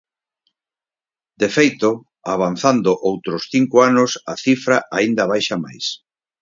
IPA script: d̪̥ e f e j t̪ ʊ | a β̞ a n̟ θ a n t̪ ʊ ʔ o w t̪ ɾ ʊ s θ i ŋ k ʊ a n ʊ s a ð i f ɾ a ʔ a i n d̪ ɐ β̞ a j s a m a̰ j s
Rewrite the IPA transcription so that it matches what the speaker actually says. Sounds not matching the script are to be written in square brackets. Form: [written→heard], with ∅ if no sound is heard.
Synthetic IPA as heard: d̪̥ e f e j t̪ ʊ | a β̞ a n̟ θ a n [t̪→d̪] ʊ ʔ o w t̪ ɾ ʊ s θ i ŋ k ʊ a n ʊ s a [ð→θ] i f ɾ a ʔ a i n d̪ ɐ β̞ a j [s→ʃ] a m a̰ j s